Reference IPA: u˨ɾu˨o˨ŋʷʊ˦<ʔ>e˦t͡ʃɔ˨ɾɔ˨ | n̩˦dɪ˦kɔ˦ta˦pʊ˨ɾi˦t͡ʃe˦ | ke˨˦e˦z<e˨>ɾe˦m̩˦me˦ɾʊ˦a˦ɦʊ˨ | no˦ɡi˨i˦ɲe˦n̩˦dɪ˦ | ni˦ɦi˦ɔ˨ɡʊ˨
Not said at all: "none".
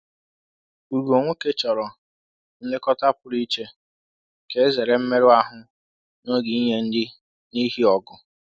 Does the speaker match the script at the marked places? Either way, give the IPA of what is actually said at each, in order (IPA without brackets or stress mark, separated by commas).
k, e˨